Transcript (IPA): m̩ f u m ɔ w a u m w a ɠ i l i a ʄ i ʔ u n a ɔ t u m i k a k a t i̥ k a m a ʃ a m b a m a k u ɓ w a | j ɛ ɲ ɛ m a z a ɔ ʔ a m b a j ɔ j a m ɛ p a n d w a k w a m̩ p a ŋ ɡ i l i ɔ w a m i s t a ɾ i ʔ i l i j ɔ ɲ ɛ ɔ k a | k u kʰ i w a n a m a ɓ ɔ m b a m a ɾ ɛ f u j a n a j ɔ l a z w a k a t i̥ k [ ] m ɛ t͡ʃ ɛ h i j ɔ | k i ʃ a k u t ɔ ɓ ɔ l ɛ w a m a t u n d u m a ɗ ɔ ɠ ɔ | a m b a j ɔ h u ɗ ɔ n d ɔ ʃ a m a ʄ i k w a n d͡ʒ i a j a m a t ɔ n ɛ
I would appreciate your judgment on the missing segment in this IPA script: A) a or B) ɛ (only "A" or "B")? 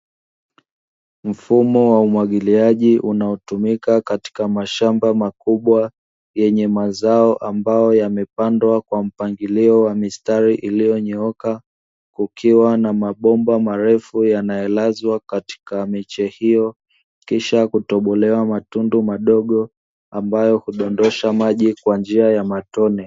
A